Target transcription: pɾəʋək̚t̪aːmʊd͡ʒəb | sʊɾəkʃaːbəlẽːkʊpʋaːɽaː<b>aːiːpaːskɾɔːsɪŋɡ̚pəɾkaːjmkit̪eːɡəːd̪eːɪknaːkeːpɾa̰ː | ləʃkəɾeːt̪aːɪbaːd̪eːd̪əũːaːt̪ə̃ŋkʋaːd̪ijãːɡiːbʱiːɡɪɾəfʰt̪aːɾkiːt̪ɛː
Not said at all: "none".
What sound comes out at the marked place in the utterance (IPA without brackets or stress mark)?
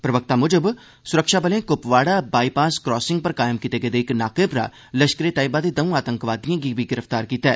b